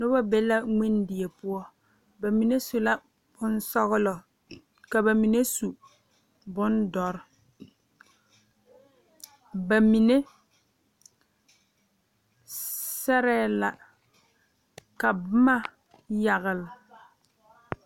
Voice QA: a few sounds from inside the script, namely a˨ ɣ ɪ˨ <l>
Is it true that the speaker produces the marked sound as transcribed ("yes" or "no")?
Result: yes